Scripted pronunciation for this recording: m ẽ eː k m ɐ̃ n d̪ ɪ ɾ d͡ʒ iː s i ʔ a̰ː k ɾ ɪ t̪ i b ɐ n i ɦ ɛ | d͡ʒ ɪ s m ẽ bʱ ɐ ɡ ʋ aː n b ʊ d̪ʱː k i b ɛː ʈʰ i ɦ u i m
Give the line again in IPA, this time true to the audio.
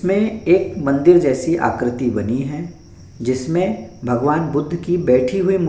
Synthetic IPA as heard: m ẽ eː k m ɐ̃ n d̪ ɪ ɾ d͡ʒ ɛː s i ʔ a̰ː k ɾ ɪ t̪ i b ɐ n i ɦ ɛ | d͡ʒ ɪ s m ẽ bʱ ɐ ɡ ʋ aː n b ʊ d̪ʱː k i b ɛː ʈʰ i ɦ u i m